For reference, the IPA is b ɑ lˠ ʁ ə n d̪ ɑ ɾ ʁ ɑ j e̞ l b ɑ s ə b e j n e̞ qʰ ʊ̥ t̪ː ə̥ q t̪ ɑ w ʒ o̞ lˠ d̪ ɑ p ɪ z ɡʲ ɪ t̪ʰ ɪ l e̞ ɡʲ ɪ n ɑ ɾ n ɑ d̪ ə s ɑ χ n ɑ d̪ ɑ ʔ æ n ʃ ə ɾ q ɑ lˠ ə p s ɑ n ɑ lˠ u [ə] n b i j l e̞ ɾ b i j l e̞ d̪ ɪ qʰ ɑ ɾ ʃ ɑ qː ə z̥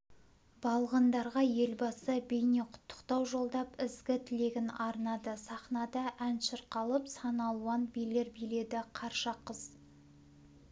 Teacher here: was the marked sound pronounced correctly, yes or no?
no